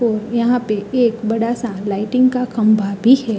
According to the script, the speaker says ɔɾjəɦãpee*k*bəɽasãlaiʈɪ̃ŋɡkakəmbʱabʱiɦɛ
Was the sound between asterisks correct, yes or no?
yes